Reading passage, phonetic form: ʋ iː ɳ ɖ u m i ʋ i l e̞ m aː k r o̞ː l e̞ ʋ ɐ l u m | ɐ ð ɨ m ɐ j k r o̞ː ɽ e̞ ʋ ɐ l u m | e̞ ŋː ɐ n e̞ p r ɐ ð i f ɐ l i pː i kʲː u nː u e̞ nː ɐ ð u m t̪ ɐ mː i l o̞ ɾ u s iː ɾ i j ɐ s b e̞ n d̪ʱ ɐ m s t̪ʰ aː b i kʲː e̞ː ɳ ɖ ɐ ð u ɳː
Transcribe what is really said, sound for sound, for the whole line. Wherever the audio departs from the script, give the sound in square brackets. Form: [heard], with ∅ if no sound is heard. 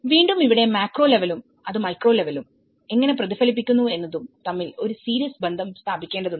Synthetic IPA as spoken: ʋ iː ɳ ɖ u m i ʋ i [ɽ] e̞ m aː k r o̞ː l e̞ ʋ ɐ l u m | ɐ ð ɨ m ɐ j k r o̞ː [l] e̞ ʋ ɐ l u m | e̞ ŋː ɐ n e̞ p r ɐ ð i f ɐ l i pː i kʲː u nː u e̞ nː ɐ ð u m t̪ ɐ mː i l o̞ ɾ u s iː ɾ i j ɐ s b e̞ n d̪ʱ ɐ m s t̪ʰ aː b i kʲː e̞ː ɳ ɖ ɐ ð u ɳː